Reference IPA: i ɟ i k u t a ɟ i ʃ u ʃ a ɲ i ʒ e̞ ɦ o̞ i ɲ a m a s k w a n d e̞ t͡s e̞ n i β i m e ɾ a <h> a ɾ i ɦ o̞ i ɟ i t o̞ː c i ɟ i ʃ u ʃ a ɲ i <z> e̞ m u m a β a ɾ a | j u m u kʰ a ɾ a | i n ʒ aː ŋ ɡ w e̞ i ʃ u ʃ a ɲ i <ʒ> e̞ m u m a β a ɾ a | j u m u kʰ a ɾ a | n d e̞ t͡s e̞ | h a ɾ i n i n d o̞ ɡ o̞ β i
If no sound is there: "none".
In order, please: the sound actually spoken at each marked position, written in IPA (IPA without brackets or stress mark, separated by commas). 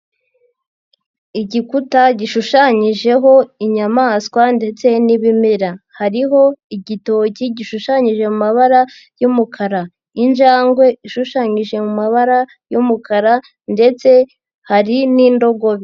h, ʒ, ʒ